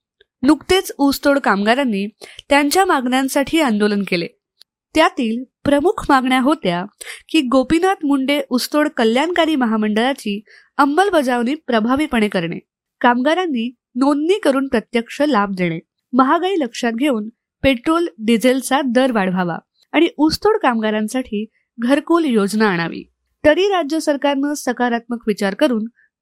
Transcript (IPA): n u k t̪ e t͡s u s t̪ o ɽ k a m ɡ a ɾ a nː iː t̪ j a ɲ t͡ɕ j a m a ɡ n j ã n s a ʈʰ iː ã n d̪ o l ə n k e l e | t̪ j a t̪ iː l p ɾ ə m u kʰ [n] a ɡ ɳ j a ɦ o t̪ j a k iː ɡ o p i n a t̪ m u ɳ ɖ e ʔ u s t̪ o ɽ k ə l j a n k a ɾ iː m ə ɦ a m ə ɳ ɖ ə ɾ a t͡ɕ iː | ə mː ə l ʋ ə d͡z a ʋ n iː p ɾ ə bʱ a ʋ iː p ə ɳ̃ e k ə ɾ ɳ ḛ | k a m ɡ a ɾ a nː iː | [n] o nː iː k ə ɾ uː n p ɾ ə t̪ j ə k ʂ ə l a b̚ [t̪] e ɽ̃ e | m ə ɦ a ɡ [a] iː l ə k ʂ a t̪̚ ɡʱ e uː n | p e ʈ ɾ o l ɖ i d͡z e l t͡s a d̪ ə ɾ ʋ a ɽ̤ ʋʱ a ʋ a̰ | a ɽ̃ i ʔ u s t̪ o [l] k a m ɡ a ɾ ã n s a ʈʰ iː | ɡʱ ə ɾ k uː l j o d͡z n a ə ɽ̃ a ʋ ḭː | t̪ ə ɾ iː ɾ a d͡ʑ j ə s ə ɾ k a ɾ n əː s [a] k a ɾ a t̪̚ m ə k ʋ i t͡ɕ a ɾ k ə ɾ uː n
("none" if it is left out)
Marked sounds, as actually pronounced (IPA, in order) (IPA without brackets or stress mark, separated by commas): m, n, d̪, a, ɽ, ə